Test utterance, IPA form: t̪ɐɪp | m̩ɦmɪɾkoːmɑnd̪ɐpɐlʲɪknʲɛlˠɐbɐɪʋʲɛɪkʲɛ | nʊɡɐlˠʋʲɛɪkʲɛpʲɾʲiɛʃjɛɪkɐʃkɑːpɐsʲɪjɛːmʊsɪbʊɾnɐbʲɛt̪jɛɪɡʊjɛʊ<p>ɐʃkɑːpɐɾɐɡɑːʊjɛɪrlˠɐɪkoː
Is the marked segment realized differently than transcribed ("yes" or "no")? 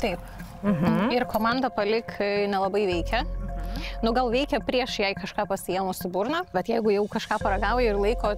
yes